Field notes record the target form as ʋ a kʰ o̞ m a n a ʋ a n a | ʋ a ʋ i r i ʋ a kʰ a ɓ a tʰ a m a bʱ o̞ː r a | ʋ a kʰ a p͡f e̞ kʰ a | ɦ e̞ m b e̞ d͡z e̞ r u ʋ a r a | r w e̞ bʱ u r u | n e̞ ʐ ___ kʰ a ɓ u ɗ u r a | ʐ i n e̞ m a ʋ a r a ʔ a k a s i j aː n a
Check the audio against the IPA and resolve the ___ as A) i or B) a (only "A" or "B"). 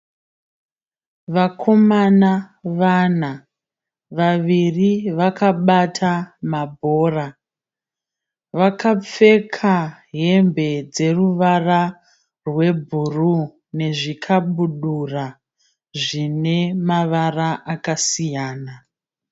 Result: A